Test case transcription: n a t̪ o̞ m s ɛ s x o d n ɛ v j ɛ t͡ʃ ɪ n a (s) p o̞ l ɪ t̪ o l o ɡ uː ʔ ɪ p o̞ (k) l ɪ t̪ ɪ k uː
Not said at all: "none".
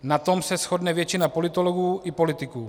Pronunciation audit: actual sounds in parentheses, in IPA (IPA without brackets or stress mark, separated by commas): none, none